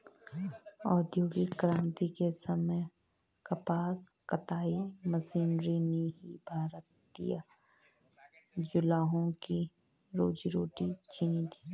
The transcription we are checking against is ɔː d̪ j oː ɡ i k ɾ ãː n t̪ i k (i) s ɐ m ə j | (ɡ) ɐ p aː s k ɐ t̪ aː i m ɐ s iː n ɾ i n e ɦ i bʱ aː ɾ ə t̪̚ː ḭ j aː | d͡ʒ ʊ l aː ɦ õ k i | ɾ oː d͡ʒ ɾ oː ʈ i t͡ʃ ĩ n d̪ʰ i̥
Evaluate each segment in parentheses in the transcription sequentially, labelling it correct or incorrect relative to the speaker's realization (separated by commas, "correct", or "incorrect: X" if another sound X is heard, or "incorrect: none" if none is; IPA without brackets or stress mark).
incorrect: e, incorrect: k